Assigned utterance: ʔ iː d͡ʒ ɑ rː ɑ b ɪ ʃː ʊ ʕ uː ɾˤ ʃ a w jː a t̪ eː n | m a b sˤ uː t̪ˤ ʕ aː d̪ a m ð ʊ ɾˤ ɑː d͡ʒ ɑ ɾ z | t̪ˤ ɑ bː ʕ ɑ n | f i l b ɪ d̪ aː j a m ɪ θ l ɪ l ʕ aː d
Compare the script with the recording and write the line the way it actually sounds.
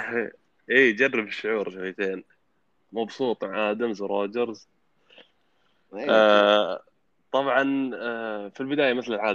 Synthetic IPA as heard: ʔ iː d͡ʒ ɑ rː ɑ b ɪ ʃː ʊ ʕ uː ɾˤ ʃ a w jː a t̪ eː n | m ɑ b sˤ uː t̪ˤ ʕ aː d̪ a m z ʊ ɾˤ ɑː d͡ʒ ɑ ɾ z | t̪ˤ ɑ b ʕ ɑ n | f i l b ɪ d̪ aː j a m ɪ θ l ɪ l ʕ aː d